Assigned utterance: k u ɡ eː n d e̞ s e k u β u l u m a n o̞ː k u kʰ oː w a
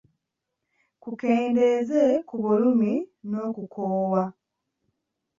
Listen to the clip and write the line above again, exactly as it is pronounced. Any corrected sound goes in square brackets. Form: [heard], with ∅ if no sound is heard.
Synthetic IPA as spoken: k u [k] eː n d e̞ [z] e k u β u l u m [i] n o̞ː k u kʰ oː w a